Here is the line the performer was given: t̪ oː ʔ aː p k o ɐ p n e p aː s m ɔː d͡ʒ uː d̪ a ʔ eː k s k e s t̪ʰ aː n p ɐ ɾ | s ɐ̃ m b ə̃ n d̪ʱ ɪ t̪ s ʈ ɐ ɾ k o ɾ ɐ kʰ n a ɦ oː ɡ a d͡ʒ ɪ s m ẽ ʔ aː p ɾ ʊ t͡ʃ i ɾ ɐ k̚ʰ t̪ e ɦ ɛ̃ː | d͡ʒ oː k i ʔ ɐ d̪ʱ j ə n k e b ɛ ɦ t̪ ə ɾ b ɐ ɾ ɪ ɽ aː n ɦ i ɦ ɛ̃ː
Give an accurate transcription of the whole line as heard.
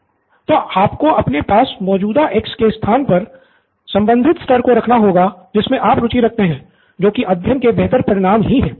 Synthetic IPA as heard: t̪ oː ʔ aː p k o ɐ p n e p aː s m ɔː d͡ʒ uː d̪ a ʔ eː k s k e s t̪ʰ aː n p ɐ ɾ | s ɐ̃ m b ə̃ n d̪ʱ ɪ t̪ s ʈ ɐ ɾ k o ɾ ɐ kʰ n a ɦ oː ɡ a d͡ʒ ɪ s m ẽ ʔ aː p ɾ ʊ t͡ʃ i ɾ ɐ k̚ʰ t̪ e ɦ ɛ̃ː | d͡ʒ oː k i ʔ ɐ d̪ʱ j ə n k e b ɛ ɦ t̪ ə ɾ p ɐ ɾ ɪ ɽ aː m ɦ i ɦ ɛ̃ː